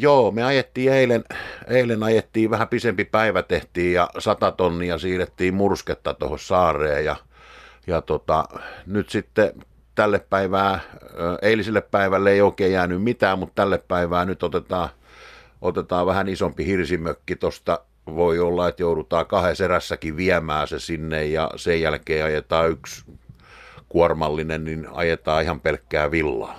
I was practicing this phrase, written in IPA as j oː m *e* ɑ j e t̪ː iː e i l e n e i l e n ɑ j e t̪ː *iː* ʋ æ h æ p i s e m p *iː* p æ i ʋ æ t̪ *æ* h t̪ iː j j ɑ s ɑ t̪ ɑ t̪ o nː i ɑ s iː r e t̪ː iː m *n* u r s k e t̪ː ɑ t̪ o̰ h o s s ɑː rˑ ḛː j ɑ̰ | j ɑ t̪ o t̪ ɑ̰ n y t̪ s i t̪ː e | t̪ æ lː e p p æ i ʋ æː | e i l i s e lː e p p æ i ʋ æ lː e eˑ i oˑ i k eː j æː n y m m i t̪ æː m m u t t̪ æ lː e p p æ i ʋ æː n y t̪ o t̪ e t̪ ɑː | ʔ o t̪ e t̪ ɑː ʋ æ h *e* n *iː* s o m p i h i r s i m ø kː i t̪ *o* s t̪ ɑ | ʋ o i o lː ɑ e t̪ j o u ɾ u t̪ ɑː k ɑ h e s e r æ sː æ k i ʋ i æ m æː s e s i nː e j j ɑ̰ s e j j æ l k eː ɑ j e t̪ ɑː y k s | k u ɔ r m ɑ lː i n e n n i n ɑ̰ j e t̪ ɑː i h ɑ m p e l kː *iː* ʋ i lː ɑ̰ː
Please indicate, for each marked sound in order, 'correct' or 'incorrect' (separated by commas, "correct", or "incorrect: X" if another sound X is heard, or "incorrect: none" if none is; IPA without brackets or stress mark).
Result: correct, correct, incorrect: i, incorrect: e, incorrect: m, incorrect: æ, incorrect: i, correct, incorrect: æː